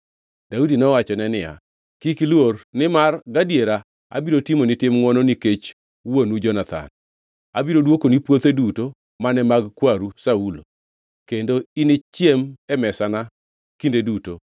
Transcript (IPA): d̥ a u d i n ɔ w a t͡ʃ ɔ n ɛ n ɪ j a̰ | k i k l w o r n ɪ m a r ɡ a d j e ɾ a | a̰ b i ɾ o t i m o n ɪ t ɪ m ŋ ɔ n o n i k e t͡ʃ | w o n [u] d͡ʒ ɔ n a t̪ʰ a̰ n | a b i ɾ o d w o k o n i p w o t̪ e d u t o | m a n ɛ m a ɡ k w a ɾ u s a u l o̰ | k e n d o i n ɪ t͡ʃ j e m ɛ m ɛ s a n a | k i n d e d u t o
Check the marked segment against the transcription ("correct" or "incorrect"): correct